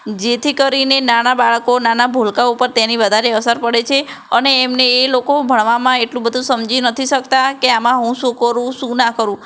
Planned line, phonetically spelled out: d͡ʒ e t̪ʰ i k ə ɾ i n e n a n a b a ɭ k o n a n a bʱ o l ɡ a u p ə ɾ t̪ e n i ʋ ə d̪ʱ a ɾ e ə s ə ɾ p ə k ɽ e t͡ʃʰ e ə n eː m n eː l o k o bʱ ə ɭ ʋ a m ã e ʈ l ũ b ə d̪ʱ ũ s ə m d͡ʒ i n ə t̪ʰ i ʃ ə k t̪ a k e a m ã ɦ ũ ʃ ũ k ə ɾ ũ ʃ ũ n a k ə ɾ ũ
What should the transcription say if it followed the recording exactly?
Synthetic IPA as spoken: d͡ʒ e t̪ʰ i k ə ɾ i n e n a n a b a ɭ k o n a n a bʱ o l k a u p ə ɾ t̪ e n i ʋ ə d̪ʱ a ɾ e ə s ə ɾ p ə ɽ e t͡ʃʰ e ə n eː m n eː l o k o bʱ ə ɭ ʋ a m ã e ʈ l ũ b ə d̪ʱ ũ s ə m d͡ʒ i n ə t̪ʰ i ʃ ə k t̪ a k e a m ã ɦ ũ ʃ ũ k ə ɾ ũ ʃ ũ n a k ə ɾ ũ